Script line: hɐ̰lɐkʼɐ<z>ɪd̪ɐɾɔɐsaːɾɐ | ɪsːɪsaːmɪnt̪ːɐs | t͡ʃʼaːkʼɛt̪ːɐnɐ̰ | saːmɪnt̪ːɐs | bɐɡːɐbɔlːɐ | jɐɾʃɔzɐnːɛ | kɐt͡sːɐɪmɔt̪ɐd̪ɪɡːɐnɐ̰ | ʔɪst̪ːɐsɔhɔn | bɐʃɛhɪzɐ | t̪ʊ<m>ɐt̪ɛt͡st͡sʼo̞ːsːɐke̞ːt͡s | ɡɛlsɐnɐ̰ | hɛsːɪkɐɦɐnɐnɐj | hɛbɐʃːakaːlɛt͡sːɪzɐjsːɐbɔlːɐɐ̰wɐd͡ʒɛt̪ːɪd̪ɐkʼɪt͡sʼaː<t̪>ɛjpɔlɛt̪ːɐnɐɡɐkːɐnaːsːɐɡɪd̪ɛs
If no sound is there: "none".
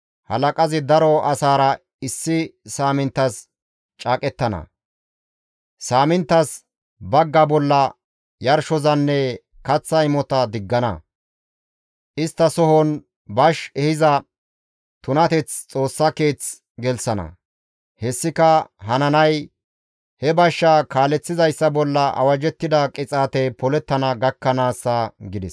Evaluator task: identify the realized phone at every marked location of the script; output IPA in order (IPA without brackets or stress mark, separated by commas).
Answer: z, n, t̪